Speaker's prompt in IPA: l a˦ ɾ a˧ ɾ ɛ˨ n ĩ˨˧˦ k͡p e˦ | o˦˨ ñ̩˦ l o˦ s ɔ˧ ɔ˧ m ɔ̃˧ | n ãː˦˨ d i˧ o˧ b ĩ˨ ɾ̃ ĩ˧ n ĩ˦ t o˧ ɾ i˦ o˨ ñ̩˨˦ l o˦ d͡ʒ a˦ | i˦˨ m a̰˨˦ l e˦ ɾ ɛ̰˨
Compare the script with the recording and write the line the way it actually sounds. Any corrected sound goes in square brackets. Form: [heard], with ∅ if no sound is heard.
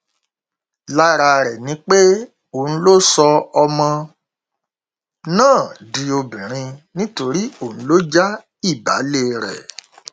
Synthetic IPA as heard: l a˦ ɾ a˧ ɾ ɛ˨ n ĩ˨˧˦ k͡p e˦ | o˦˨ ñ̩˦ l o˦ s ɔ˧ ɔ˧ m ɔ̃˧ | n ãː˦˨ d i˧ o˧ b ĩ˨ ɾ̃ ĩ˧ n ĩ˦ t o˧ ɾ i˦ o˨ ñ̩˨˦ l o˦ d͡ʒ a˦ | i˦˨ [b] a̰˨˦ l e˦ ɾ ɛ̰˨